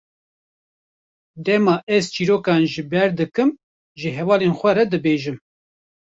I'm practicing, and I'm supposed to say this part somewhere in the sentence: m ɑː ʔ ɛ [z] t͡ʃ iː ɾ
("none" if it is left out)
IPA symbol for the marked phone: z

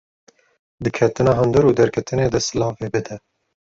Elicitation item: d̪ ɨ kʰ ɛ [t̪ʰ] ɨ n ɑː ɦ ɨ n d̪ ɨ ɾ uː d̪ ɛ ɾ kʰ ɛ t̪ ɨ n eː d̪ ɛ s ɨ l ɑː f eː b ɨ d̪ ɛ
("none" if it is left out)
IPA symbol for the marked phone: t̪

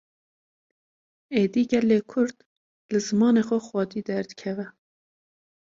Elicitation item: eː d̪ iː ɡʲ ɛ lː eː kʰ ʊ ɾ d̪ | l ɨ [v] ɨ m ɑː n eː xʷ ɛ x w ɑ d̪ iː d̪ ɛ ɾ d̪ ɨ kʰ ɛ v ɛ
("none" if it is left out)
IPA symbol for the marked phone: z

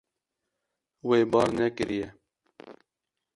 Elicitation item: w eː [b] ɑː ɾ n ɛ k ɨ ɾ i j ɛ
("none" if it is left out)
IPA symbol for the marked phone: b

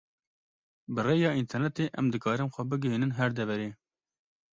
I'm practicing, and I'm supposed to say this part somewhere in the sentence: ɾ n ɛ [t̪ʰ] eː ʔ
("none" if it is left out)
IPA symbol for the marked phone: t̪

